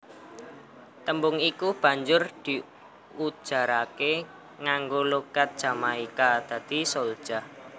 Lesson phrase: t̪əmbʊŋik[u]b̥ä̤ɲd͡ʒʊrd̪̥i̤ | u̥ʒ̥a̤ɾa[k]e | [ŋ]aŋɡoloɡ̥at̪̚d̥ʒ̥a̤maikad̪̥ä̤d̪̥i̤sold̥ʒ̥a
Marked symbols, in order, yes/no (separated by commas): yes, yes, yes